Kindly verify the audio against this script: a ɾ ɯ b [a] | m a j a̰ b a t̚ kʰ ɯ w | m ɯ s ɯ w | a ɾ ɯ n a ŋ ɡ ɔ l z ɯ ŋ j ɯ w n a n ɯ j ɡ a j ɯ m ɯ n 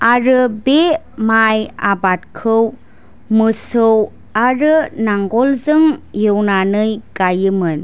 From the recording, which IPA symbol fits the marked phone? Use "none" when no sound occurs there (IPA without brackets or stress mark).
e